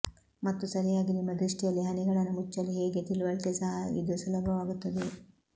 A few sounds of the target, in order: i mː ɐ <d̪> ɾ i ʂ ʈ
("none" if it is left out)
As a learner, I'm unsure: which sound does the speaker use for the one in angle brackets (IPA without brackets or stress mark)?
d̪